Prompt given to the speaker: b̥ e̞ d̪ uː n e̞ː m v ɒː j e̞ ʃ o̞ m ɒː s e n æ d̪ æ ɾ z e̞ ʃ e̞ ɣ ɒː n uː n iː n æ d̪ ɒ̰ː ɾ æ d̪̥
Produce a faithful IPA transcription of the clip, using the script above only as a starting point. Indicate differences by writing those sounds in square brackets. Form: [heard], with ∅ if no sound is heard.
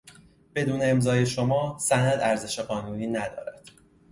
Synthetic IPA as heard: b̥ e̞ d̪ uː n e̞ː m [z] ɒː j e̞ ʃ o̞ m ɒː s [æ] n æ d̪ æ ɾ z e̞ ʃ e̞ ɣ ɒː n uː n iː n æ d̪ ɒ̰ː ɾ æ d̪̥